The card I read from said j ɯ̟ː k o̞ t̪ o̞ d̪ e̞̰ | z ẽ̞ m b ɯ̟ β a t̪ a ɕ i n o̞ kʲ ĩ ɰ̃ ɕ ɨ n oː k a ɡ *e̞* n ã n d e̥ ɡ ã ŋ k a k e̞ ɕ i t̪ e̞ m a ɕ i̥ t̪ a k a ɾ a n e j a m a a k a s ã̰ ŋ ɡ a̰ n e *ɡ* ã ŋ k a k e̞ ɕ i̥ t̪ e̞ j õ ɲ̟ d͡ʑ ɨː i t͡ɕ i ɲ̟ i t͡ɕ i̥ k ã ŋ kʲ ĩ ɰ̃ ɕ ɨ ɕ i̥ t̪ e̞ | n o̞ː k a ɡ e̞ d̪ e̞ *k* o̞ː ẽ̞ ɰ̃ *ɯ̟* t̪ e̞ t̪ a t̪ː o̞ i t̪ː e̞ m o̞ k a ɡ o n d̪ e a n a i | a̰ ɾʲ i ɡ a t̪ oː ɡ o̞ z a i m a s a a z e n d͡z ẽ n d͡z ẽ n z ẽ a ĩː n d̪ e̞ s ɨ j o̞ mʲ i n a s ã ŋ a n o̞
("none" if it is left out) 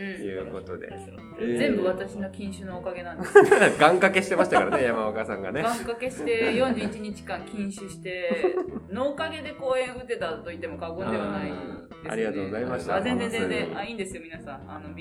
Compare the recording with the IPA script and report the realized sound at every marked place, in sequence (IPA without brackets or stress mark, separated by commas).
e̞, ɡ, k, ɯ̟